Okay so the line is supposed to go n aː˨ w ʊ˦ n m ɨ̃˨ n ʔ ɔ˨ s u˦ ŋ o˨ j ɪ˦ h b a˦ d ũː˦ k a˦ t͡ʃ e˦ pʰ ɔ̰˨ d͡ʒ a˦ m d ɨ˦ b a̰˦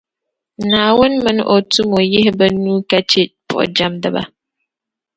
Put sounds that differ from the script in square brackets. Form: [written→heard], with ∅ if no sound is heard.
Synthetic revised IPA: n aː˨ w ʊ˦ n m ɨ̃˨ n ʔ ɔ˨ [s→t] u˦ [ŋ→m] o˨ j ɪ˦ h b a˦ [d→n] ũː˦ k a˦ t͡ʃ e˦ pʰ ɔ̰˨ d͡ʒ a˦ m d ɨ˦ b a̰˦